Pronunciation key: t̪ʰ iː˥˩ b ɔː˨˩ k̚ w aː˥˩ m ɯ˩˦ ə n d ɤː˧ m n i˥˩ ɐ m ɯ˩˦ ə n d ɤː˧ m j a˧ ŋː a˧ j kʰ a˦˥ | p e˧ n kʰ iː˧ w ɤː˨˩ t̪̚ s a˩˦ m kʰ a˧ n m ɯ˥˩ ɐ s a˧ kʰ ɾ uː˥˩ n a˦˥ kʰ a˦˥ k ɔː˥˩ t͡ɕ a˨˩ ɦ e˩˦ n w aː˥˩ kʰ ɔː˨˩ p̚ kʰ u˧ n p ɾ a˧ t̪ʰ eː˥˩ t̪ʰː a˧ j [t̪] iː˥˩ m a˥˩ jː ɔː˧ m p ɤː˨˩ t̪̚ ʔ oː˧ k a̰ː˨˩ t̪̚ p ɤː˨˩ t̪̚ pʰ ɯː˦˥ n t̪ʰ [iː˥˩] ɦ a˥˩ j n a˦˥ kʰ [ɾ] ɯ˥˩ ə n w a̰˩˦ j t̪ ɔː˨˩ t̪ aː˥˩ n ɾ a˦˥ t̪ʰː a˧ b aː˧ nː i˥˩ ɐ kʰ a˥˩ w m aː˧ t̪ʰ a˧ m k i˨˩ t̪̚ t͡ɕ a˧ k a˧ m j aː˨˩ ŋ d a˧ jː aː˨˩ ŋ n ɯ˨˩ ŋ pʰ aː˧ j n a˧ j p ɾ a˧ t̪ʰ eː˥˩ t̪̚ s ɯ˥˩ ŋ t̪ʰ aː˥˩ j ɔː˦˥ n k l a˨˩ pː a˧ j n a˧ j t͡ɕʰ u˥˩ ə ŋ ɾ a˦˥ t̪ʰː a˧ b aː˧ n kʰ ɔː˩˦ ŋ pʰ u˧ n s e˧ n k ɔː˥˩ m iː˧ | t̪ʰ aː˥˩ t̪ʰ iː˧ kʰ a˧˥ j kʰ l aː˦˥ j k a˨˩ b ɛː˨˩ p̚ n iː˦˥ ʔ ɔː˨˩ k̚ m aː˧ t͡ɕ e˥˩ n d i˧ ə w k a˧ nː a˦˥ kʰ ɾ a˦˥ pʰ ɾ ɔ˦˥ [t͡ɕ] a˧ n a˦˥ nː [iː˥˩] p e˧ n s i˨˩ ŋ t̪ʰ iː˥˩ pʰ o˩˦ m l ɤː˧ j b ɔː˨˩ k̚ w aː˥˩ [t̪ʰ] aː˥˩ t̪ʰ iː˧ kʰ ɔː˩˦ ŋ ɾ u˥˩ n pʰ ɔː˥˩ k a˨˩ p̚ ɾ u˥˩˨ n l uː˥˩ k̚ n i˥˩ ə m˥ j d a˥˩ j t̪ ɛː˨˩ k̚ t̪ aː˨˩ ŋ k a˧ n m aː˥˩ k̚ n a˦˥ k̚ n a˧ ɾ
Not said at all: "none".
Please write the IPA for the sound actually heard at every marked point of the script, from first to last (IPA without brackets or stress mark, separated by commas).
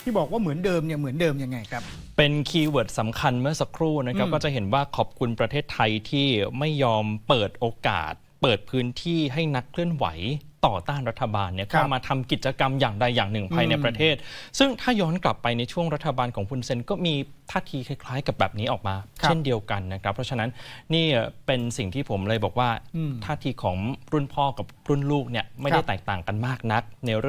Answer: t̪ʰ, iː˥˩, l, t͡ɕʰ, iː˥˩, t̪ʰ